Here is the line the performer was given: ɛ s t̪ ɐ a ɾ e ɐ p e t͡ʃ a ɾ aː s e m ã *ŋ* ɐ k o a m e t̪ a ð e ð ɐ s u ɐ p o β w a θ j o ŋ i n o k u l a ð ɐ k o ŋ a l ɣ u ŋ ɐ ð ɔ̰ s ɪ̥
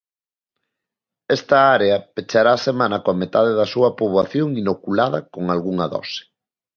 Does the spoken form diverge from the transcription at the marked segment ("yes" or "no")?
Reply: yes